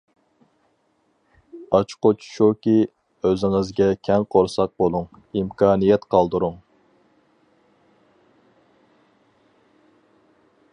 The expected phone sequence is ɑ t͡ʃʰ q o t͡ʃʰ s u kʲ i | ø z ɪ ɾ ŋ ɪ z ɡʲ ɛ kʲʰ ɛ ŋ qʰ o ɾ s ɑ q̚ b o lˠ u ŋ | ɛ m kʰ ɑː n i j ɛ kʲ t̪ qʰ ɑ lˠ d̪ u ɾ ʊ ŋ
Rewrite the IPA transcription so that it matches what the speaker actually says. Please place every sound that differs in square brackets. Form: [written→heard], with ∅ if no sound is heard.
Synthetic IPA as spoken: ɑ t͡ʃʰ q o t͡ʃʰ [s→ʃ] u kʲ i | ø z ɪ [ɾ→∅] ŋ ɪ z ɡʲ ɛ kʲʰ ɛ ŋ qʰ o ɾ s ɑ q̚ b o lˠ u ŋ | [ɛ→i] m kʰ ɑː n i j ɛ [kʲ→∅] t̪ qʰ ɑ lˠ d̪ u ɾ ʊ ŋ